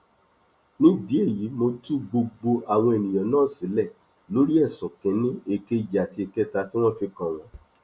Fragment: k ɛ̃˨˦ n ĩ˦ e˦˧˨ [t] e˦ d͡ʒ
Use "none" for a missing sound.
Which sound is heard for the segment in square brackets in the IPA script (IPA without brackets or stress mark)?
k